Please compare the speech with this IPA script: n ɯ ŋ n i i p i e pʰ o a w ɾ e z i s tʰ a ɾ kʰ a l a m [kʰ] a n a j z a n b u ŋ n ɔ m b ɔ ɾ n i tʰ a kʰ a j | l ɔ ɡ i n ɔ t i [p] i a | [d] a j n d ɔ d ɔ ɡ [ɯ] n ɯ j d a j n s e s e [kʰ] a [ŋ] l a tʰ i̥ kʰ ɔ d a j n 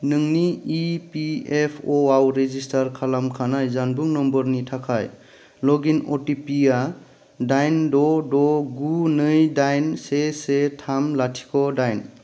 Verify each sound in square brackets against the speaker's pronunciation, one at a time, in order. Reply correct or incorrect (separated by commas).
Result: correct, correct, correct, incorrect, incorrect, incorrect